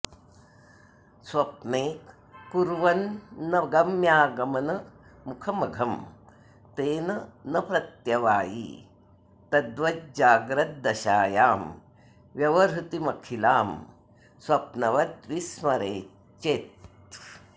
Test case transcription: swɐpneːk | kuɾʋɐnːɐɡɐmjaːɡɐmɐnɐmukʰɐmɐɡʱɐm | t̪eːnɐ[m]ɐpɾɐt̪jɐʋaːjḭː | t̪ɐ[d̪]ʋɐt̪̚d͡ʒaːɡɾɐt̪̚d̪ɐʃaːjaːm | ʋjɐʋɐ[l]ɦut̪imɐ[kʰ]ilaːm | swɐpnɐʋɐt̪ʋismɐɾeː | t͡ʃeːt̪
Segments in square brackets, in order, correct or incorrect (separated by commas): incorrect, correct, incorrect, correct